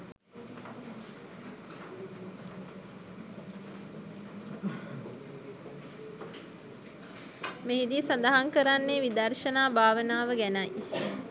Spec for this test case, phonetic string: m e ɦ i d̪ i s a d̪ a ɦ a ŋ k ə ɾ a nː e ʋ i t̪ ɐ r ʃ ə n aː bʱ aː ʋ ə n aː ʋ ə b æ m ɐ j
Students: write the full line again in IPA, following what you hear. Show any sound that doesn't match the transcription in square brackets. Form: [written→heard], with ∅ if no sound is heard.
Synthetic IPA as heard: m e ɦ i d̪ i s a d̪ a ɦ a ŋ k ə ɾ a nː e ʋ i [t̪→d̪] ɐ r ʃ ə n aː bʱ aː ʋ ə n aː ʋ ə [b→ɡ] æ [m→n] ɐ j